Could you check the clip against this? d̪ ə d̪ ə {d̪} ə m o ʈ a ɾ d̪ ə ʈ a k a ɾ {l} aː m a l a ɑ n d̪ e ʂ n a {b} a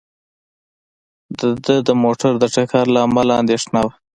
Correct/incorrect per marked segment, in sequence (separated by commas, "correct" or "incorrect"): correct, correct, incorrect